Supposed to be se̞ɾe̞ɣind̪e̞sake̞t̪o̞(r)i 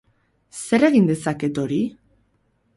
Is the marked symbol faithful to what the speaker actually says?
no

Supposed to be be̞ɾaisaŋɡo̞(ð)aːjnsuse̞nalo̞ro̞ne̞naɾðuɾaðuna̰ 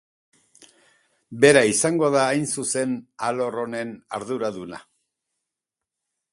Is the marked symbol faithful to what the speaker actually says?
yes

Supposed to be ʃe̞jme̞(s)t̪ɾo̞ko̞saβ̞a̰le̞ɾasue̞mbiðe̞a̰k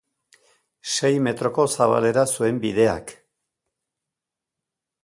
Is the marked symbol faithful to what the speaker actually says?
no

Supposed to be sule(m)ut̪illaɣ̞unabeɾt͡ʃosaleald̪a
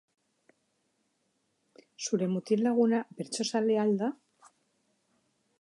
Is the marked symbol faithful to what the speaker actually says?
yes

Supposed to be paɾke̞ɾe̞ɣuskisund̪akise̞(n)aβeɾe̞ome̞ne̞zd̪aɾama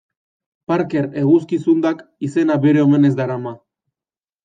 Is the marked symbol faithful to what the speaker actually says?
yes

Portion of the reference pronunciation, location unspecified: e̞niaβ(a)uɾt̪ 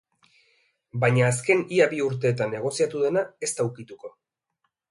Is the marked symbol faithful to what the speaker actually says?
no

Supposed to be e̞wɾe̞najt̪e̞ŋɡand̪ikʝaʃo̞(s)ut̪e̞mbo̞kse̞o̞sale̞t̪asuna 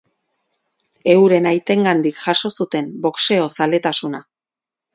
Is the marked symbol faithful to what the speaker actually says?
yes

